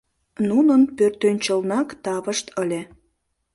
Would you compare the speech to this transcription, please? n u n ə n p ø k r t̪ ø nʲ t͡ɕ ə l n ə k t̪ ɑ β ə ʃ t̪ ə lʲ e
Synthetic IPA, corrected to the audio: n u n ə n p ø r t̪ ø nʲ t͡ɕ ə l n ɑ k t̪ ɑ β ə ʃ t̪ ə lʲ e

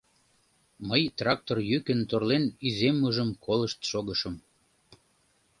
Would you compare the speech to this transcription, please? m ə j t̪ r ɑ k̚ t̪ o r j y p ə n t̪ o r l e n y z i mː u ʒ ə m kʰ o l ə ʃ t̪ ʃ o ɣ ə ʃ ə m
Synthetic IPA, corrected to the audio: m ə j t̪ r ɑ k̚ t̪ o r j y k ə n t̪ o r l e n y z e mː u ʒ ə m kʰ o l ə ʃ t̪ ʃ o ɣ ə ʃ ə m

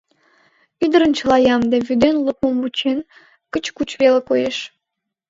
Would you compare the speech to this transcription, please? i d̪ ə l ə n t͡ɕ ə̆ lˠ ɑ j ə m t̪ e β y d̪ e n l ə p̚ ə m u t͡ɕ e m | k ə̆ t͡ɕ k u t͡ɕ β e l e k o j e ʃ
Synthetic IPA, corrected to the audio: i d̪ ə ɾ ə n t͡ɕ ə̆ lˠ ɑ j ɑ m d̪ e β y d̪ e n l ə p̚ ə m u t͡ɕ e n | k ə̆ t͡ɕ k u t͡ɕ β e l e k o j e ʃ

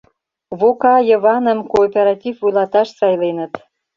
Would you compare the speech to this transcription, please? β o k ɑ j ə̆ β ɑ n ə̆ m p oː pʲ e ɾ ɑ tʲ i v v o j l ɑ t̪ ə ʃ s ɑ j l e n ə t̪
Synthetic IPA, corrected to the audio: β o k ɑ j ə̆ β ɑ n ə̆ m k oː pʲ e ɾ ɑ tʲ i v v u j l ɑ t̪ ɑ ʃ s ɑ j l e n ə t̪

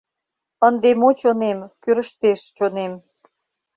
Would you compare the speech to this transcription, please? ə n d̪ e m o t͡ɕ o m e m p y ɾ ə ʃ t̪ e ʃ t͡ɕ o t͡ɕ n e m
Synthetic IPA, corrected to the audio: ə n d̪ e m o t͡ɕ o n e m k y ɾ ə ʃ t̪ e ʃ t͡ɕ o n e m

